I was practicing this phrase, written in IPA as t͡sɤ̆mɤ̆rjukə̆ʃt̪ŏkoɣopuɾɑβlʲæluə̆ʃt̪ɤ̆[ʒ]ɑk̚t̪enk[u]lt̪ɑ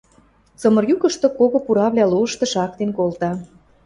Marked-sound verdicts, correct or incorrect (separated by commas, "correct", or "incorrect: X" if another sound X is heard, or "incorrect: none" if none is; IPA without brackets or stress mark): incorrect: ʃ, incorrect: o